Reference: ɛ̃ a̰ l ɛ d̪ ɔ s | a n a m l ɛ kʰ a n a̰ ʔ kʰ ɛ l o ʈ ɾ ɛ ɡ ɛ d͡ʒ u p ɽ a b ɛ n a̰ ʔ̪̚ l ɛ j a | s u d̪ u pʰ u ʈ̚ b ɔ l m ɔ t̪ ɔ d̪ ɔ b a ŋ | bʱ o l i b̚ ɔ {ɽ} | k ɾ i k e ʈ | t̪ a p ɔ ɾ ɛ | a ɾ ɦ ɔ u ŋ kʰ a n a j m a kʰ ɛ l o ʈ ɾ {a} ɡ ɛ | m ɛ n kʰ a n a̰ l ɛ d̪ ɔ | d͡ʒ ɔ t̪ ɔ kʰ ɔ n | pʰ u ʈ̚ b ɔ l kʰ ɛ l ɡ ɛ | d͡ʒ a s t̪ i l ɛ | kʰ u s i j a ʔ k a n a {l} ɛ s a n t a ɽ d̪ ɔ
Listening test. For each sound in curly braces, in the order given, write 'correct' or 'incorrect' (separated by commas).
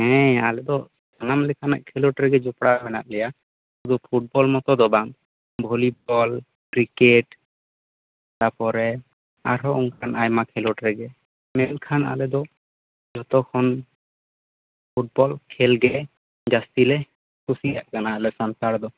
incorrect, incorrect, correct